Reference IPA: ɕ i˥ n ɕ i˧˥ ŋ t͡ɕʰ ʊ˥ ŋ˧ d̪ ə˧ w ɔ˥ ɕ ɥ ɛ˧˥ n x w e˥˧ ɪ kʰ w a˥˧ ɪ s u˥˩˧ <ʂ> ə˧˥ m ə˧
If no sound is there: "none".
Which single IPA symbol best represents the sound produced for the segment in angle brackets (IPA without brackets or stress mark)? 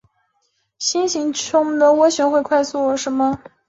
ʂ